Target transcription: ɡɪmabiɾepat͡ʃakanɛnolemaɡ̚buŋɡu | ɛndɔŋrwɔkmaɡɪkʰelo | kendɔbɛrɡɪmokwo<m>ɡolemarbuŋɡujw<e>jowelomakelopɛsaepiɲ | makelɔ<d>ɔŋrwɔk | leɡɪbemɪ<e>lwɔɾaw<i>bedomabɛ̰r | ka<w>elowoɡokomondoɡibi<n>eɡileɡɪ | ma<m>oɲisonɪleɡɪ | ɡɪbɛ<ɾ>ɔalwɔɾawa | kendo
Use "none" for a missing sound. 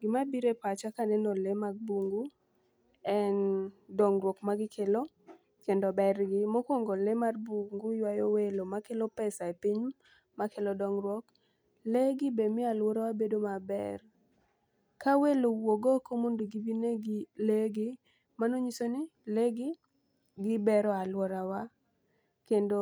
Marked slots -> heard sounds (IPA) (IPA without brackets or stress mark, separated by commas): ŋ, a, d, a, a, w, n, n, ɾ